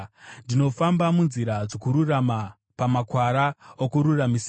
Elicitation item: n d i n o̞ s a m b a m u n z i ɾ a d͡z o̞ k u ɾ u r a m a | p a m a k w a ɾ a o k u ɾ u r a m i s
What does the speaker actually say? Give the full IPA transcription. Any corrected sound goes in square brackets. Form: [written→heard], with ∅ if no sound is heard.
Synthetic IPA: n d i n o̞ [s→f] a m b a m u n z i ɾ a d͡z o̞ k u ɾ u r a m a | p a m a k w a ɾ a o k u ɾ u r a m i s

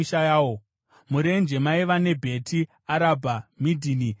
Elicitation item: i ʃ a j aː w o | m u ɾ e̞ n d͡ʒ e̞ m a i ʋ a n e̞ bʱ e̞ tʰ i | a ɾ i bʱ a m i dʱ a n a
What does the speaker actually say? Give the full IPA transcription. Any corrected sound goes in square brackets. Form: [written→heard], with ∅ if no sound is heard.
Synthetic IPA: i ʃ a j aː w o | m u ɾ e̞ n d͡ʒ e̞ m a i ʋ a n e̞ bʱ e̞ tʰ i | a ɾ [i→a] bʱ a m i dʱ [a→i] n [a→i]

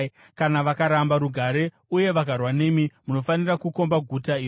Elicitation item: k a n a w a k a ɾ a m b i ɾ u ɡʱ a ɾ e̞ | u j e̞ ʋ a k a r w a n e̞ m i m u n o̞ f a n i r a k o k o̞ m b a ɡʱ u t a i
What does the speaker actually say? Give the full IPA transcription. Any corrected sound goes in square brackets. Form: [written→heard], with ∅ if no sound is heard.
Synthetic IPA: k a n a [w→ʋ] a k a ɾ a m b [i→a] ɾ u ɡʱ a ɾ e̞ | u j e̞ ʋ a k a r w a n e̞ m i m u n o̞ f a n i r a k [o→u] k o̞ m b a ɡʱ u t a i

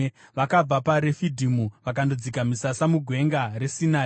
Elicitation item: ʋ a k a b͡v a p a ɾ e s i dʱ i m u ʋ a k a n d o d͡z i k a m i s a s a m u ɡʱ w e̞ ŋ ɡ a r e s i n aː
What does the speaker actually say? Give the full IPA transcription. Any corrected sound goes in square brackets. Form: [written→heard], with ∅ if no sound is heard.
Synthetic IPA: ʋ a k a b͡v a p a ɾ e [s→f] i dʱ i m u ʋ a k a n d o d͡z i k a m i s a s a m u ɡʱ w e̞ ŋ ɡ a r e s i n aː

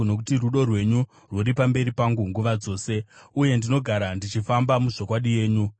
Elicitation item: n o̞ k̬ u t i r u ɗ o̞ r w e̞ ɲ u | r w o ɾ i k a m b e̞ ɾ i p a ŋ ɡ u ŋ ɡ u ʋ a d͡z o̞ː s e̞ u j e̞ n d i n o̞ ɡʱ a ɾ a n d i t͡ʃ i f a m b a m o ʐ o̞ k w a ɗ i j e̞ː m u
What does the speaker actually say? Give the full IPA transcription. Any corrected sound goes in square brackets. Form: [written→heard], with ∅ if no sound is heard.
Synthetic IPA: n o̞ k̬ u t i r u ɗ o̞ r w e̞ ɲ u | r w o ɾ i [k→p] a m b e̞ ɾ i p a ŋ ɡ u ŋ ɡ u ʋ a d͡z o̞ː s e̞ u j e̞ n d i n o̞ ɡʱ a ɾ a n d i t͡ʃ i f a m b a m [o→u] ʐ o̞ k w a ɗ i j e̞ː [m→ɲ] u

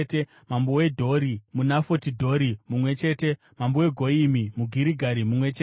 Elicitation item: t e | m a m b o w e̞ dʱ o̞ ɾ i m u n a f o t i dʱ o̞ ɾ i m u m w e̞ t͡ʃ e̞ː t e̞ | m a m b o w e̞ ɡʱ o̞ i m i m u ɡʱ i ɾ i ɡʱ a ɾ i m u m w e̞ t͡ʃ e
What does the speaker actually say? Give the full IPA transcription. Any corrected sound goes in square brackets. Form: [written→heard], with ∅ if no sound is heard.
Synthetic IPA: t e | m a m b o w e̞ dʱ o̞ ɾ i m u n a f o t i dʱ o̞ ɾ i m u m w e̞ t͡ʃ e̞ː t e̞ | m a m b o w e̞ ɡʱ o̞ i m i m u ɡʱ i ɾ i ɡʱ a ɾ i m u m w e̞ t͡ʃ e

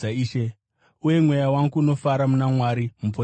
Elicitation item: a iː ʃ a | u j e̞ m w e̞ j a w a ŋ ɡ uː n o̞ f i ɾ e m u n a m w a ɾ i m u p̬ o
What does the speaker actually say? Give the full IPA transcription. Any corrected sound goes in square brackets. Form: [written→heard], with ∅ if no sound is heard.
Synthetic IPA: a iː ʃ [a→e] | u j e̞ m w e̞ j a w a ŋ ɡ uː n o̞ f [i→a] ɾ [e→a] m u n a m w a ɾ i m u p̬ o

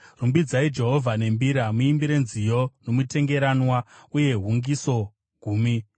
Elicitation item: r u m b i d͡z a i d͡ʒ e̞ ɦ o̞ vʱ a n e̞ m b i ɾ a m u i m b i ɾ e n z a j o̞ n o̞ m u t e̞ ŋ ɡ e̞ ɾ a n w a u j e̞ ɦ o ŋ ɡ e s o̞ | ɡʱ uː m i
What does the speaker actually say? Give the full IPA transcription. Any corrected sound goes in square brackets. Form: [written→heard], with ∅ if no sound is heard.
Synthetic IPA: r u m b i d͡z a i d͡ʒ e̞ ɦ o̞ vʱ a n e̞ m b i ɾ a m u i m b i ɾ e n z [a→i] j o̞ n o̞ m u t e̞ ŋ ɡ e̞ ɾ a n w a u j e̞ ɦ [o→u] ŋ ɡ [e→i] s o̞ | ɡʱ uː m i

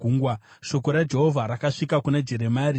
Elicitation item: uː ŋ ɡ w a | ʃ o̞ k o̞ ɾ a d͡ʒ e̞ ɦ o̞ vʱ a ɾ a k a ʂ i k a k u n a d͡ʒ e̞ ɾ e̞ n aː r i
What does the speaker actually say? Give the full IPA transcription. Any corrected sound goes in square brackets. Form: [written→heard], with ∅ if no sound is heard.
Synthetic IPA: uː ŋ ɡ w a | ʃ o̞ k o̞ ɾ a d͡ʒ e̞ ɦ o̞ vʱ a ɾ a k a ʂ i k a k u n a d͡ʒ e̞ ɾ e̞ [n→m] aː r i

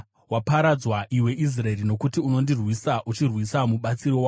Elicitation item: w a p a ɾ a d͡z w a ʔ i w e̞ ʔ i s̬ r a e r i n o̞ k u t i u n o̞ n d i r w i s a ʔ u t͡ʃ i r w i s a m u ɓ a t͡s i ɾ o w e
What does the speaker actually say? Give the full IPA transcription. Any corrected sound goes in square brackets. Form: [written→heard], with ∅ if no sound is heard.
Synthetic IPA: w a p a ɾ a d͡z w a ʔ i w e̞ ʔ i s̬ r a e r i n o̞ k u t i u n o̞ n d i r w i s a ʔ u t͡ʃ i r w i s a m u ɓ a t͡s i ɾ o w [e→a]

